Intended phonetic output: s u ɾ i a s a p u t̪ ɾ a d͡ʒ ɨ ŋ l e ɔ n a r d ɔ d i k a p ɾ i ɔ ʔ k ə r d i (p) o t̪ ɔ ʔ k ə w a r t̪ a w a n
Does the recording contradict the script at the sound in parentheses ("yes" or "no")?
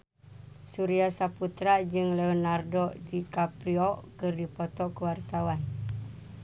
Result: no